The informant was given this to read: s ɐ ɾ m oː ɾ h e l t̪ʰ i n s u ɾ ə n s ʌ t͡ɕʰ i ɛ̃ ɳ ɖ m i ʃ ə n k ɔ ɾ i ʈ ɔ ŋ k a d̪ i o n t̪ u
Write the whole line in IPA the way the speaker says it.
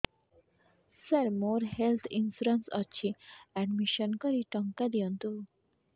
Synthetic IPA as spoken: s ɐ ɾ m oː ɾ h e l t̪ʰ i n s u ɾ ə n s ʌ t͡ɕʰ i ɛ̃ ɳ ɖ m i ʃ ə n k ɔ ɾ i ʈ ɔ ŋ k a d̪ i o n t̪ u